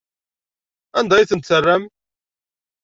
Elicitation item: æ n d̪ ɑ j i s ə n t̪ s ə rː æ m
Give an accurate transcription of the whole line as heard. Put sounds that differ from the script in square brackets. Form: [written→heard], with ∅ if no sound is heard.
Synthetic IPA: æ n d̪ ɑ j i [s→θ] ə n t̪ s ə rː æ m